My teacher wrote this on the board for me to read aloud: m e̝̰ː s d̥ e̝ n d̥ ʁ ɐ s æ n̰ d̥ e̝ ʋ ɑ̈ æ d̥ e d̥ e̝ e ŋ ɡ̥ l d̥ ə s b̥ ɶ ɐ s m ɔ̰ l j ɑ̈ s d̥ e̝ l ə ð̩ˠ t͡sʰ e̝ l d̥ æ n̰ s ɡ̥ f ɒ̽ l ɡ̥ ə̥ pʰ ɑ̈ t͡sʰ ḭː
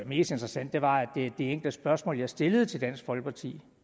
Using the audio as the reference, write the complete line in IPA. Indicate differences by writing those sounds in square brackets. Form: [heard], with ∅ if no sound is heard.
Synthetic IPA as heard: m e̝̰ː s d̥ e̝ n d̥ ʁ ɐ s æ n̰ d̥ e̝ ʋ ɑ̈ æ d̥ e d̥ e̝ e ŋ ɡ̥ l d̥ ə s b̥ ɶ ɐ s m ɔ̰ l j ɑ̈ s d̥ e̝ l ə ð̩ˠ t͡sʰ e̝ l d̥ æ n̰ s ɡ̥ f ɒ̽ l ɡ̥ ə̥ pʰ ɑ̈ t͡sʰ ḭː